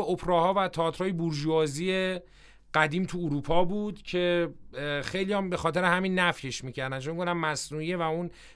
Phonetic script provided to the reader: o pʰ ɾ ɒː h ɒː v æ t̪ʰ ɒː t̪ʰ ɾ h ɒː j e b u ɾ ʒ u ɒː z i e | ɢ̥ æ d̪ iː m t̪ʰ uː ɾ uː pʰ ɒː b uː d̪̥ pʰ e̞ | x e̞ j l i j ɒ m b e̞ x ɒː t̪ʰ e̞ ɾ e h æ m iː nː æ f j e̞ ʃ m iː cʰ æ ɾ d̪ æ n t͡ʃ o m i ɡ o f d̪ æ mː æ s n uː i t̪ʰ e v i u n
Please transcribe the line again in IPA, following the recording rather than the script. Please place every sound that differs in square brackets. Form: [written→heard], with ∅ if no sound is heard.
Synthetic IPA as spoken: o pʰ ɾ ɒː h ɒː v æ t̪ʰ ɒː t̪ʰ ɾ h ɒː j e b u ɾ ʒ u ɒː z i e | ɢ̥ æ d̪ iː m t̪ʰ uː ɾ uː pʰ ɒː b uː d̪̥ [pʰ→cʰ] e̞ | x e̞ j l i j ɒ m b e̞ x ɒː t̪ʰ e̞ ɾ e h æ m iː nː æ f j e̞ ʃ m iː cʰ æ ɾ d̪ æ n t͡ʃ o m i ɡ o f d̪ æ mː æ s n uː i [t̪ʰ→∅] e v [i→æ] u n